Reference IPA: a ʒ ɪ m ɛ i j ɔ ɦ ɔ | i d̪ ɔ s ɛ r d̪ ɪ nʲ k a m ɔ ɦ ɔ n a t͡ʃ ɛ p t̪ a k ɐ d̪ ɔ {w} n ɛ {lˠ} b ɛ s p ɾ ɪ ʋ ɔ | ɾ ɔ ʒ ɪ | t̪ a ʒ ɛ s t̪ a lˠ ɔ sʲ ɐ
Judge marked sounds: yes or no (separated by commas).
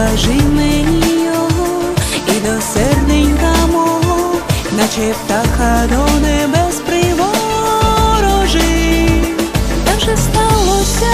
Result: yes, no